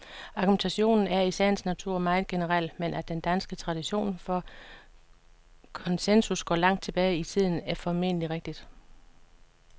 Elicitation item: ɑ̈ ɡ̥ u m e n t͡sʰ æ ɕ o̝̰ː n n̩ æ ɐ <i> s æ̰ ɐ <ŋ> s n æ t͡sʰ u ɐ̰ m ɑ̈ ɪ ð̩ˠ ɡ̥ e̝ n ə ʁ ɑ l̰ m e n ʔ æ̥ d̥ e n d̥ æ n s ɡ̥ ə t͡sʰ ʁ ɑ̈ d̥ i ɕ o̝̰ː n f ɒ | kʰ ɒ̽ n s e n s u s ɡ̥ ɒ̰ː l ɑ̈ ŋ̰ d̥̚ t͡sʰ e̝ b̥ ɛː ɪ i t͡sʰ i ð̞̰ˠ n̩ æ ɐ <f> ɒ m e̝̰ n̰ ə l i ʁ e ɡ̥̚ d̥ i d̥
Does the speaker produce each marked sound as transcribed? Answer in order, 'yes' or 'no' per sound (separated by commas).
yes, no, yes